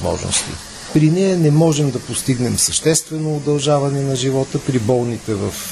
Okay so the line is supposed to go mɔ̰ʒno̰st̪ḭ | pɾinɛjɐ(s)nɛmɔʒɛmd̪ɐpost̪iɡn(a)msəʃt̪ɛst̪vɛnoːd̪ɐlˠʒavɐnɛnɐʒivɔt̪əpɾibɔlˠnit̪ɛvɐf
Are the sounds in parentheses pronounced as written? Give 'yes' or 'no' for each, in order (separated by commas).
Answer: no, no